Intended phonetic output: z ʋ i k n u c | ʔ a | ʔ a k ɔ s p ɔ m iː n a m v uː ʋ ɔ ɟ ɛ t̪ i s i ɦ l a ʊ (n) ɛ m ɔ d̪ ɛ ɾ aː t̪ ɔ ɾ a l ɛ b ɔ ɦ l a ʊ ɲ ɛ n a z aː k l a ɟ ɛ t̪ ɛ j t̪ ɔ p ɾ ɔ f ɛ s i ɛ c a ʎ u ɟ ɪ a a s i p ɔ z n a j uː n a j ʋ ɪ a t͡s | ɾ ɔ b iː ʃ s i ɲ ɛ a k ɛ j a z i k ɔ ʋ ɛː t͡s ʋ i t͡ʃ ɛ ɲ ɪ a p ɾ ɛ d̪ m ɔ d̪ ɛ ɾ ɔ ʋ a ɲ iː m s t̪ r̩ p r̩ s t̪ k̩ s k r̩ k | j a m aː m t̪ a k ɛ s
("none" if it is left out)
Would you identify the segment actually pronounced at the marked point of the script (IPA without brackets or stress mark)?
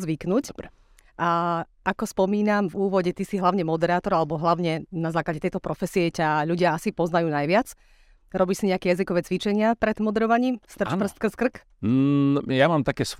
ɲ